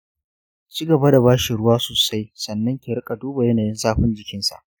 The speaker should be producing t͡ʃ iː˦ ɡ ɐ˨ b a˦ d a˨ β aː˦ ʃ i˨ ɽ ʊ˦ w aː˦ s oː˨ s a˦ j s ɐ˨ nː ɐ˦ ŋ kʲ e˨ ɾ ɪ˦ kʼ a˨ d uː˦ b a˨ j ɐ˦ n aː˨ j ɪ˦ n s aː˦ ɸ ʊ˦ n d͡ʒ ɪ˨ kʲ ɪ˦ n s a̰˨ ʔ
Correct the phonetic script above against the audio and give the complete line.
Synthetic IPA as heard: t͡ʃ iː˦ ɡ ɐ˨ b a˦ d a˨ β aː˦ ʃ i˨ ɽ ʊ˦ w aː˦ s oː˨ s a˦ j s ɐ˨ nː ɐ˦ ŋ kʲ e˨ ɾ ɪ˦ kʼ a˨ d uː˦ b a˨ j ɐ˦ n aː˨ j ɪ˦ n s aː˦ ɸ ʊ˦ n d͡ʒ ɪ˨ kʲ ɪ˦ n s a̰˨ ʔ